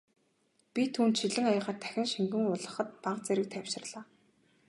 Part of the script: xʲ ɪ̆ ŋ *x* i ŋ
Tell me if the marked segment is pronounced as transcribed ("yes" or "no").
no